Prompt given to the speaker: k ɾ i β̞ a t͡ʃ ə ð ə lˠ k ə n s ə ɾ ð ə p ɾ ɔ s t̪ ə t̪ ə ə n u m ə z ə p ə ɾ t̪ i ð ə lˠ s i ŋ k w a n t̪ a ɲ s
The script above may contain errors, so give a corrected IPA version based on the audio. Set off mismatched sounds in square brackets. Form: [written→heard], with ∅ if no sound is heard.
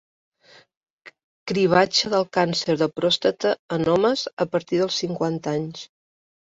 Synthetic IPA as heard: k ɾ i β̞ a t͡ʃ ə ð ə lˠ k [ə→a] n s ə ɾ ð ə p ɾ ɔ s t̪ ə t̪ ə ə n [u→ɔ] m ə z ə p ə ɾ t̪ i ð ə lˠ s i ŋ k w a n t̪ a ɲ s